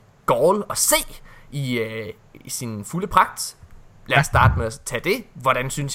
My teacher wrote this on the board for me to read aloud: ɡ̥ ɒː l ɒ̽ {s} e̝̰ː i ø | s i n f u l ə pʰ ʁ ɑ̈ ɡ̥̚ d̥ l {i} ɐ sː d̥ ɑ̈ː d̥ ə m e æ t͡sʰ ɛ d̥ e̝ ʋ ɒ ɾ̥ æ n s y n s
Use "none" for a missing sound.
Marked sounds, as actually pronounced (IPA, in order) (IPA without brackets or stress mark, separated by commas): s, æ